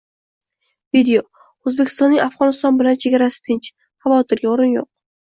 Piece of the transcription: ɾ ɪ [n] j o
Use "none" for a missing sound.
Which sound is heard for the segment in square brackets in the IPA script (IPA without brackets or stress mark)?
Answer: n